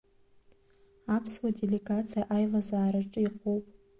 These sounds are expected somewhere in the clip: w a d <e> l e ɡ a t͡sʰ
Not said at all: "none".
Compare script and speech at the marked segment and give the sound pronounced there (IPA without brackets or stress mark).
e